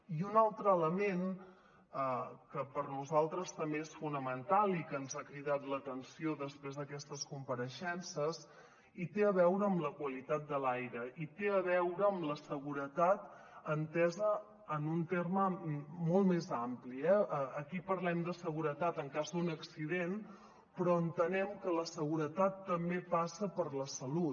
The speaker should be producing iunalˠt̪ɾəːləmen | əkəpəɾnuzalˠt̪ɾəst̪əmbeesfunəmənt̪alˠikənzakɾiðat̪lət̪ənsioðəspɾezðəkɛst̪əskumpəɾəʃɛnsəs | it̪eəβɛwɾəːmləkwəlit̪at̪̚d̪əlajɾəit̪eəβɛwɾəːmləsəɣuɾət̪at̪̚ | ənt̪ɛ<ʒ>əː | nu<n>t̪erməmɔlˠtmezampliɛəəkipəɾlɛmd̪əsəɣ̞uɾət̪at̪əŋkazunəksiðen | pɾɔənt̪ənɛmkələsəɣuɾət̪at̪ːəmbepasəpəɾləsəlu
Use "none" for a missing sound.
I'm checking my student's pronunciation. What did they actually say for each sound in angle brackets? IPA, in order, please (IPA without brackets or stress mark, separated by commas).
z, n